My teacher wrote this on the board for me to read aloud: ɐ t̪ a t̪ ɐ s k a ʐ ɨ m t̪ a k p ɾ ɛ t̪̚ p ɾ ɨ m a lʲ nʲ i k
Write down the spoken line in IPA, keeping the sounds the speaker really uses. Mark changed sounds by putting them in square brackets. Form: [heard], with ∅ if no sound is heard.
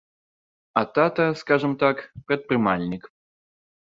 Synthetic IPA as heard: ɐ t̪ a t̪ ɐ s k a ʐ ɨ m t̪ a k p ɾ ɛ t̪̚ p ɾ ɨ m a lʲ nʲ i k

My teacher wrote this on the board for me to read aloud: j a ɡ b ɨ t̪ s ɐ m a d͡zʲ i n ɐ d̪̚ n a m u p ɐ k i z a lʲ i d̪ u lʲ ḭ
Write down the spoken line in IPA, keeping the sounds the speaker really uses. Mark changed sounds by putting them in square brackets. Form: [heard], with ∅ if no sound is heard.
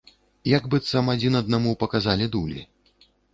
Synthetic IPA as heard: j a ɡ b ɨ t̪ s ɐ m a d͡zʲ i n ɐ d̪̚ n a m u p ɐ k [a] z a lʲ i d̪ u lʲ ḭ

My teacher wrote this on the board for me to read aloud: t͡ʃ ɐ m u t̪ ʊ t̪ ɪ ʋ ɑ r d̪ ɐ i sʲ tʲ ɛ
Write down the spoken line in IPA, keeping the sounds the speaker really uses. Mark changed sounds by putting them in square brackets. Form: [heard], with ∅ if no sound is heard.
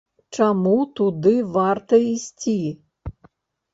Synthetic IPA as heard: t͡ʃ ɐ m u t̪ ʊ [d̪] ɪ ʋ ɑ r [t̪] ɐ i sʲ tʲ [i]

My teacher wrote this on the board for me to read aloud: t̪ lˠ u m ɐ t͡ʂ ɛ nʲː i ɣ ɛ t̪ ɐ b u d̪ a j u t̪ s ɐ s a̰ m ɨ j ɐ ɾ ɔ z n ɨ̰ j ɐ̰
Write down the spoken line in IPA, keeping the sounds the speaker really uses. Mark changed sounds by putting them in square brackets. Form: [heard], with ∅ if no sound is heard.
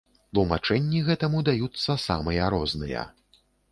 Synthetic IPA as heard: t̪ lˠ u m [a] t͡ʂ ɛ nʲː i ɣ ɛ t̪ ɐ [m] u d̪ a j u t̪ [sː] ɐ s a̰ m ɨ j ɐ ɾ ɔ z n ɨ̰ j ɐ̰

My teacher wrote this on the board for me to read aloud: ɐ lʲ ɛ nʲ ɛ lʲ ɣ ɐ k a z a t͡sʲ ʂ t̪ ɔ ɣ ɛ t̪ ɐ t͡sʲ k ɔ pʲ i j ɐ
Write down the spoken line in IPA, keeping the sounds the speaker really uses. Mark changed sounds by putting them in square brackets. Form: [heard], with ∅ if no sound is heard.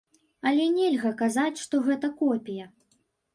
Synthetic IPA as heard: ɐ lʲ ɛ nʲ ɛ lʲ ɣ ɐ k a z a t͡sʲ ʂ t̪ ɔ ɣ ɛ t̪ ɐ [∅] k ɔ pʲ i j ɐ

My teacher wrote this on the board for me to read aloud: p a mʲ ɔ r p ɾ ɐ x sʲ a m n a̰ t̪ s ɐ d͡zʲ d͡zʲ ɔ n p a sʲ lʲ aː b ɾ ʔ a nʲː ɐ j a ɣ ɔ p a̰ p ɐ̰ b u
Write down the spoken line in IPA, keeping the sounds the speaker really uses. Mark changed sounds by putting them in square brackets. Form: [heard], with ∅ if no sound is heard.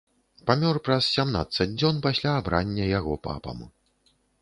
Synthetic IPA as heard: p a mʲ ɔ r p ɾ ɐ [s] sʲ a m n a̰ t̪ s ɐ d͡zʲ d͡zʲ ɔ n p a sʲ lʲ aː b ɾ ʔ a nʲː ɐ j a ɣ ɔ p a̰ p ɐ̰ [m] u

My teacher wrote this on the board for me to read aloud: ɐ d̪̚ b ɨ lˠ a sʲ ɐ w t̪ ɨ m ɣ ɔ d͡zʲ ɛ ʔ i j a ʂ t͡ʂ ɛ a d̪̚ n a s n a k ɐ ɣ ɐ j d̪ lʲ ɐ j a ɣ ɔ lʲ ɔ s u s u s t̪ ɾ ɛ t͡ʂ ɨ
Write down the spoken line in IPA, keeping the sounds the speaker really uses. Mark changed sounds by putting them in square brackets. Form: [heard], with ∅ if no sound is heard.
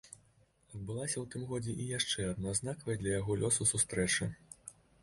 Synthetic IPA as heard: ɐ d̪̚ b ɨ lˠ a sʲ ɐ w t̪ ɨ m ɣ ɔ d͡zʲ ɛ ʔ i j a ʂ t͡ʂ ɛ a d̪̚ n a [z] n a k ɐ [v] ɐ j d̪ lʲ ɐ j a ɣ ɔ lʲ ɔ s u s u s t̪ ɾ ɛ t͡ʂ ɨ

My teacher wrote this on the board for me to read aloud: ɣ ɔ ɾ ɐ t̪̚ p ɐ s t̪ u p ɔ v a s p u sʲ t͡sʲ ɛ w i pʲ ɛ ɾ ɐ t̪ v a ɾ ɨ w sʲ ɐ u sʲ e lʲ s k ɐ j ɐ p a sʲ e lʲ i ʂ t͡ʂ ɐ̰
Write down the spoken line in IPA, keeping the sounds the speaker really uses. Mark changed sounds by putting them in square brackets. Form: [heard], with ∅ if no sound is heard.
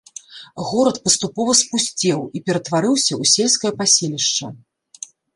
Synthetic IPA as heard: ɣ ɔ ɾ ɐ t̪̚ p ɐ s t̪ u p ɔ v [ɐ] s p u sʲ t͡sʲ ɛ w i pʲ ɛ ɾ ɐ t̪ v a ɾ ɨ w sʲ ɐ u sʲ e lʲ s k ɐ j ɐ p a sʲ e lʲ i ʂ t͡ʂ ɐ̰

